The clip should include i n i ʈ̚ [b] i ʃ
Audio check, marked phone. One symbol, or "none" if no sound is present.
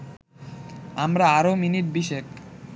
b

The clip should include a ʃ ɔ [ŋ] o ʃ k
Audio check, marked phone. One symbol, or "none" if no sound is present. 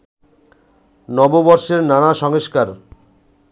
ŋ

